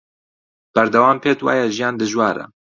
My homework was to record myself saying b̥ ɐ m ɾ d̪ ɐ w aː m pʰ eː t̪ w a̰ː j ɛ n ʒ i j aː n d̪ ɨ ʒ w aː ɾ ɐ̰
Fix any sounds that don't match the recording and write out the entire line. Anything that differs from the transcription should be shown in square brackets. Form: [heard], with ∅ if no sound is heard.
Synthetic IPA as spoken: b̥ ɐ [∅] ɾ d̪ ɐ w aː m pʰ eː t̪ w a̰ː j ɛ [∅] ʒ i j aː n d̪ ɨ ʒ w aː ɾ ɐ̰